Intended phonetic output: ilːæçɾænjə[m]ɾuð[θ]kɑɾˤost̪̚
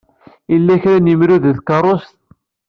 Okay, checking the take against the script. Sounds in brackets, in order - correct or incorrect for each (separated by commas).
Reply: correct, incorrect